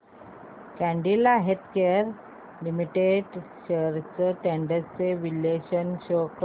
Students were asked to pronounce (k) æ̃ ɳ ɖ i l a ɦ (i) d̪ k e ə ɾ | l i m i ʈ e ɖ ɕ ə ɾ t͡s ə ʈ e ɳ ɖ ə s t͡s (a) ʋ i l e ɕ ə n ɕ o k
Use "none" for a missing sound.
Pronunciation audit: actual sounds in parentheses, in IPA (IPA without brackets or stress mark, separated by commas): k, e, e